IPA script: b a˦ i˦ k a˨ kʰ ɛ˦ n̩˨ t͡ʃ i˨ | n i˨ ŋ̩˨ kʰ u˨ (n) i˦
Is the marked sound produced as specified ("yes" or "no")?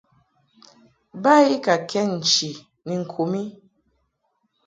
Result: no